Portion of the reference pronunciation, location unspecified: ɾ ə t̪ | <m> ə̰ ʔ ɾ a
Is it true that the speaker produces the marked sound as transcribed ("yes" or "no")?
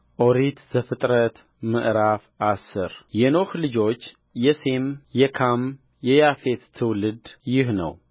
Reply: yes